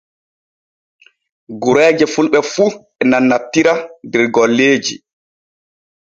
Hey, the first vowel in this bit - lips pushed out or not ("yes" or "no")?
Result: yes